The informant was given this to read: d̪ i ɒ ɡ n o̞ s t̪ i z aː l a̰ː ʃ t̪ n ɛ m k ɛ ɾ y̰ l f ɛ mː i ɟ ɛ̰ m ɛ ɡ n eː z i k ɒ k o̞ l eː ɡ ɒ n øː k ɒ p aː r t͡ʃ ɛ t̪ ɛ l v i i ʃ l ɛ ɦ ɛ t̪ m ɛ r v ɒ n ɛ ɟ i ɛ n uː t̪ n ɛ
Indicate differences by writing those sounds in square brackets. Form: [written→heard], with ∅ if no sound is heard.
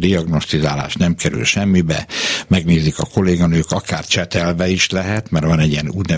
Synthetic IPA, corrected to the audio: d̪ i ɒ ɡ n o̞ s t̪ i z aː l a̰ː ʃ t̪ n ɛ m k ɛ ɾ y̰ l [f→ʃ] ɛ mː i [ɟ→b] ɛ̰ m ɛ ɡ n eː z i k ɒ k o̞ l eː ɡ ɒ n øː k ɒ [p→k] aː r t͡ʃ ɛ t̪ ɛ l v [i→ɛ] i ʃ l ɛ ɦ ɛ t̪ m ɛ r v ɒ n ɛ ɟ i ɛ n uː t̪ n ɛ